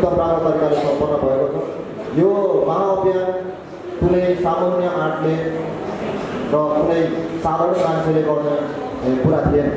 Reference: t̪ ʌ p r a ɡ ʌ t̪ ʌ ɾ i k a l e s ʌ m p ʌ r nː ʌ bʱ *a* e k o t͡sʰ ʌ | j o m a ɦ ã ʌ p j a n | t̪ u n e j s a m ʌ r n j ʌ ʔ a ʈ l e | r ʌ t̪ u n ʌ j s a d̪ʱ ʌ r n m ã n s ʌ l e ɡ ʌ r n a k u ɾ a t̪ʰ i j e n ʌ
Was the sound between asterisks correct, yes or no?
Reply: no